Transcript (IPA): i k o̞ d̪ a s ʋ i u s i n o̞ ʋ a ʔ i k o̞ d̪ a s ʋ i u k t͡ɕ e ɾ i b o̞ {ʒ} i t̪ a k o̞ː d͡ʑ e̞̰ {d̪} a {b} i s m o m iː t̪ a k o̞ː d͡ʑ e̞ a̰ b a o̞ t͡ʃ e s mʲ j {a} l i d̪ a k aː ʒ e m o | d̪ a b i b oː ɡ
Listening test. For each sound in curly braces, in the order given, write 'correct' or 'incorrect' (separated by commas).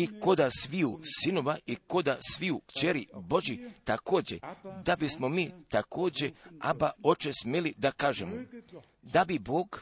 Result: correct, correct, correct, incorrect